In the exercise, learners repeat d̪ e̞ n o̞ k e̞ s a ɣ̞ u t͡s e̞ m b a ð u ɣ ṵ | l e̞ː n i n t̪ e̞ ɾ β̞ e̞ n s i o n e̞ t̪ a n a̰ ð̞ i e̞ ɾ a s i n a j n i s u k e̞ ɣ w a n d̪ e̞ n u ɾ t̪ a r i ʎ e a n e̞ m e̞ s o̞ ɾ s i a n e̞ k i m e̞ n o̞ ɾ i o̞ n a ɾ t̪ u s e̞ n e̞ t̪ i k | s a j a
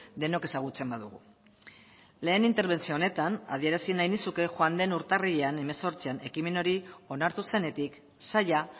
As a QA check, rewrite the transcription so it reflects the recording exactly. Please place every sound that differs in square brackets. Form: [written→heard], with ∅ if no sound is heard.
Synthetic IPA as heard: d̪ e̞ n o̞ k e̞ s a ɣ̞ u t͡s e̞ m b a ð u ɣ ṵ | l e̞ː n i n t̪ e̞ ɾ β̞ e̞ n [s→t͡s] i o n e̞ t̪ a n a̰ ð̞ i e̞ ɾ a s i n a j n i s u k e̞ [ɣ→x] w a n d̪ e̞ n u ɾ t̪ a r i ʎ e a n e̞ m e̞ s o̞ ɾ [s→t͡s] i a n e̞ k i m e̞ n o̞ ɾ i o̞ n a ɾ t̪ u s e̞ n e̞ t̪ i k | s a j a